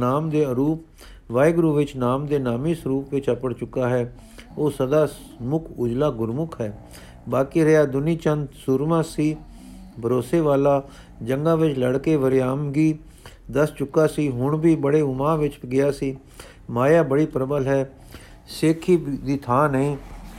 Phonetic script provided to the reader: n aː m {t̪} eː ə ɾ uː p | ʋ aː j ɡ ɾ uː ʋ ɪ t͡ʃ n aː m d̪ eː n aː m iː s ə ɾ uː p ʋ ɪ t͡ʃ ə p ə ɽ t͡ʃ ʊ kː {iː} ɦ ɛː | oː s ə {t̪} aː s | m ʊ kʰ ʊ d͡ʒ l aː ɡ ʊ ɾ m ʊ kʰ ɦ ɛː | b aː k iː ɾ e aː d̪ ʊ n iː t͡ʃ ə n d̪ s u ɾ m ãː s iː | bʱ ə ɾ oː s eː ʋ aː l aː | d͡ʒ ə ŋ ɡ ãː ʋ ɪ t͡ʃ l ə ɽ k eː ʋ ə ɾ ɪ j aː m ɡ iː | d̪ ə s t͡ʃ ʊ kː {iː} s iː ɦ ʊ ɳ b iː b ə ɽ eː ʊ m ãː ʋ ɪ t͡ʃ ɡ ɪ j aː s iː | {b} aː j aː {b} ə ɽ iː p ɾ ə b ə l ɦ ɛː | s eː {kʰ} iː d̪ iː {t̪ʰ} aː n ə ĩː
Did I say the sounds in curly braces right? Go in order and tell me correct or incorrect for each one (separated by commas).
incorrect, incorrect, incorrect, incorrect, incorrect, correct, correct, correct